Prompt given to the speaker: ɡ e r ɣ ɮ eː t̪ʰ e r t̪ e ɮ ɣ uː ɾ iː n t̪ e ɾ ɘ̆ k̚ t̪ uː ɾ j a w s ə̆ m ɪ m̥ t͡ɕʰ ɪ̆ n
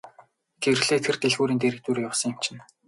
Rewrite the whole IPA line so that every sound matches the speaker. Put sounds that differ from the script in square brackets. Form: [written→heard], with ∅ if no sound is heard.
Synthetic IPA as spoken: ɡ e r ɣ ɮ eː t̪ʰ e r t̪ e ɮ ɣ uː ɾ iː n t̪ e ɾ ɘ̆ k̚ t̪ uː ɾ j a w s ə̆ [m→ŋ] ɪ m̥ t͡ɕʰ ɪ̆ n